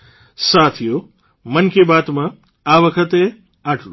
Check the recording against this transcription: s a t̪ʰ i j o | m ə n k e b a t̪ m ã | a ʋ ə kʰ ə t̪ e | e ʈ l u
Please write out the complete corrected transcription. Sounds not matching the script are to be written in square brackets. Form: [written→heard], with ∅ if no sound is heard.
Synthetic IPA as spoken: s a t̪ʰ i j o | m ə n k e b a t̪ m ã | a ʋ ə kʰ ə t̪ e | [e→a] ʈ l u

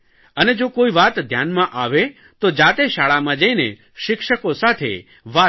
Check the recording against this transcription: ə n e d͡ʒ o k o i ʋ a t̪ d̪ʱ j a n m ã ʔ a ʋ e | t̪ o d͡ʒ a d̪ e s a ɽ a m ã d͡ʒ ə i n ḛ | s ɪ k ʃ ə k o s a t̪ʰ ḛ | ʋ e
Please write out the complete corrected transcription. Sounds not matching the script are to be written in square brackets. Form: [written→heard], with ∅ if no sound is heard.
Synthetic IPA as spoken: ə n e d͡ʒ o k o i ʋ a t̪ d̪ʱ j a n m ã ʔ a ʋ e | t̪ o d͡ʒ a [d̪→t̪] e [s→ʃ] a [ɽ→ɭ] a m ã d͡ʒ ə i n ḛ | [s→ʃ] ɪ k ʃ ə k o s a t̪ʰ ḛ | ʋ [e→a]

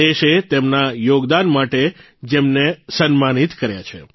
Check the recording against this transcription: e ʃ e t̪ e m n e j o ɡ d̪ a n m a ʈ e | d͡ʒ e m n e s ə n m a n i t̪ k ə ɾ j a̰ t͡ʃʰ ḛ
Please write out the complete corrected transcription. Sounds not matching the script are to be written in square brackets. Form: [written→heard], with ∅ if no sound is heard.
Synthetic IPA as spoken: e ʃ e t̪ e m n [e→a] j o ɡ d̪ a n m a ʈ e | d͡ʒ e m n e s ə n m a n i t̪ k ə ɾ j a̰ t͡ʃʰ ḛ

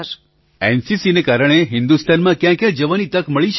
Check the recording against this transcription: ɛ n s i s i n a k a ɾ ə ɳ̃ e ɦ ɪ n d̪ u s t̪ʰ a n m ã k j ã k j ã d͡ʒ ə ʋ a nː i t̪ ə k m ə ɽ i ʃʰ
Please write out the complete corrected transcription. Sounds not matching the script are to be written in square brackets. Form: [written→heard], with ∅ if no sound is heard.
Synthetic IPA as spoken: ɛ n s i s i n [a→e] k a ɾ ə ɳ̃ e ɦ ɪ n d̪ u s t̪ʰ a n m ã k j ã k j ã d͡ʒ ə ʋ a [nː→n] i t̪ ə k m ə [ɽ→ɭ] i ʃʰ

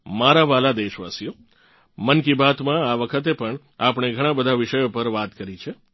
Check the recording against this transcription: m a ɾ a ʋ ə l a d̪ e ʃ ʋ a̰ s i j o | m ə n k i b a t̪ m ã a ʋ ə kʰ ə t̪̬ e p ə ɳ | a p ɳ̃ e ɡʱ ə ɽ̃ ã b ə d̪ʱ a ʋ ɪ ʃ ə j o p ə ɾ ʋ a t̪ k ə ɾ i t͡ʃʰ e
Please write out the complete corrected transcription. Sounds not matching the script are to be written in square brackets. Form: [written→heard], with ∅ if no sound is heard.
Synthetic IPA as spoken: m a ɾ a ʋ [ə→a] l a d̪ e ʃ ʋ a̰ s i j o | m ə n k i b a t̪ m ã a ʋ ə kʰ ə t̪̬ e p ə ɳ | a p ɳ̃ e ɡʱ ə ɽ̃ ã b ə d̪ʱ a ʋ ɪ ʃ ə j o p ə ɾ ʋ a t̪ k ə ɾ i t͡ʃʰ e

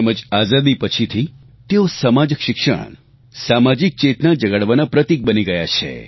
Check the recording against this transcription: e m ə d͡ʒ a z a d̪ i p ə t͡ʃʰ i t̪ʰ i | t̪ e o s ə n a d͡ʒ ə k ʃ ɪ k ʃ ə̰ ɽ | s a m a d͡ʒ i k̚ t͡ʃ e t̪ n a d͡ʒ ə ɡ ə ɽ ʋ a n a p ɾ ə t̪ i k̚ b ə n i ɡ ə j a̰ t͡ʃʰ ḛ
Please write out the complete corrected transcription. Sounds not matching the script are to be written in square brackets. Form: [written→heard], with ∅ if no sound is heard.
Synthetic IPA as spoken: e m ə d͡ʒ a z a d̪ i p ə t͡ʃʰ i t̪ʰ i | t̪ e o s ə [n→m] a d͡ʒ ə k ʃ ɪ k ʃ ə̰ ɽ | s a m a d͡ʒ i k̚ t͡ʃ e t̪ n a d͡ʒ ə ɡ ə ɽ ʋ a n a p ɾ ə t̪ i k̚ b ə n i ɡ ə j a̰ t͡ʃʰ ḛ

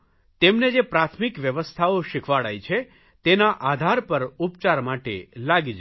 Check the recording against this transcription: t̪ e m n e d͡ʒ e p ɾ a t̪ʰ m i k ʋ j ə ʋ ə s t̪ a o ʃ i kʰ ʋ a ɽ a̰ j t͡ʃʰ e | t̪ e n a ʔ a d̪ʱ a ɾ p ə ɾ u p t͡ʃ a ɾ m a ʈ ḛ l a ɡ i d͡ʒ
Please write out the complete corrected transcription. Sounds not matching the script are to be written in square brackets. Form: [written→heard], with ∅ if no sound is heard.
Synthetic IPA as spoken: t̪ e m n e d͡ʒ e p ɾ a t̪ʰ m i k ʋ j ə ʋ ə s [t̪→t̪ʰ] a o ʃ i kʰ ʋ a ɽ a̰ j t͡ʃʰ e | t̪ e n a ʔ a d̪ʱ a ɾ p ə ɾ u p t͡ʃ a ɾ m a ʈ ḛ l a ɡ i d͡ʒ

